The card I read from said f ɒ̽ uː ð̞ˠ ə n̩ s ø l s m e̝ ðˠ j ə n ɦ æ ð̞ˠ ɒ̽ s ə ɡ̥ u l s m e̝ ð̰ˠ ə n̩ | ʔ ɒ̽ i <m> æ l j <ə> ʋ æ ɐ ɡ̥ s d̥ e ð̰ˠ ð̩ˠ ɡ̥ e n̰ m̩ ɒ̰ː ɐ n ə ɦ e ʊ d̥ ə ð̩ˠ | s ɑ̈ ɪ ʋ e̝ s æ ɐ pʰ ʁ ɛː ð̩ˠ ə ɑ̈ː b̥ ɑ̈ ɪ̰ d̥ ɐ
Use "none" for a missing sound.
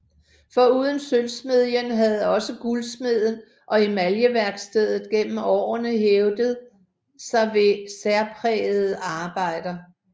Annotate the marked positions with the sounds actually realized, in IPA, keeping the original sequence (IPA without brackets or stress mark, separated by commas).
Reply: m, ə